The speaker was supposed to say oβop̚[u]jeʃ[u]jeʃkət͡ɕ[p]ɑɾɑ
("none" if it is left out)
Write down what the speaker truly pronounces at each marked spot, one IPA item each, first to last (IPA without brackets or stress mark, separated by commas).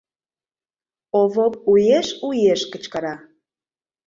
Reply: u, u, k